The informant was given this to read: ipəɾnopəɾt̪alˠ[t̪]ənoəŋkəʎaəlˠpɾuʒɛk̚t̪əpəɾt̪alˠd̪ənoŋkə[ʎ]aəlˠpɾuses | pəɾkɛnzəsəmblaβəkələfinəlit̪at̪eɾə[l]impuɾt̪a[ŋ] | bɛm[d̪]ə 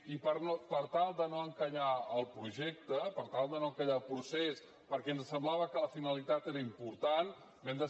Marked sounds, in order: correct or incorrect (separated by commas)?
incorrect, correct, incorrect, incorrect, correct